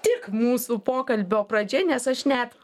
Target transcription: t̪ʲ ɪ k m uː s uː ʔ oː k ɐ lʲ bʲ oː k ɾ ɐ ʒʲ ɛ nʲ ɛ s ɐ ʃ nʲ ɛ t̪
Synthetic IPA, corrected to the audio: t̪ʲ ɪ k m uː s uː p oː k ɐ lʲ bʲ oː p ɾ ɐ d͡ʒʲ ɛ nʲ ɛ s ɐ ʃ nʲ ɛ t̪